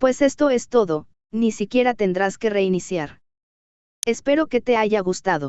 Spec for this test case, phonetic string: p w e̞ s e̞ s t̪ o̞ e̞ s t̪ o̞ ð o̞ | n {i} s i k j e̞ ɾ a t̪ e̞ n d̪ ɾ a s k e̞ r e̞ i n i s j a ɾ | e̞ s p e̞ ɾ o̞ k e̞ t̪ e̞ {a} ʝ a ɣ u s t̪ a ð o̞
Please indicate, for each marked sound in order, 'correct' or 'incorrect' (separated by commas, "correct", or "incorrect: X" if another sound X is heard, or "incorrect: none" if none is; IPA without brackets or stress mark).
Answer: correct, correct